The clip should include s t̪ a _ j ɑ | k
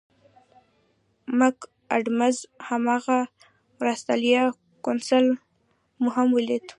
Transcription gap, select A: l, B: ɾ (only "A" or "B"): A